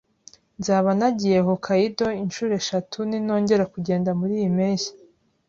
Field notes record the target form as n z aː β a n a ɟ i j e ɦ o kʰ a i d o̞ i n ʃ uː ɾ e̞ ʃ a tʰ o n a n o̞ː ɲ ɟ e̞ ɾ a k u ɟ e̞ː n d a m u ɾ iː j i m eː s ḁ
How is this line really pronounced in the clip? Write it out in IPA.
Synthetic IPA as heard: n z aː β a n a ɟ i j e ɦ o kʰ a i d o̞ i n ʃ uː ɾ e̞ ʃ a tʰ u n i n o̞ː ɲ ɟ e̞ ɾ a k u ɟ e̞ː n d a m u ɾ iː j i m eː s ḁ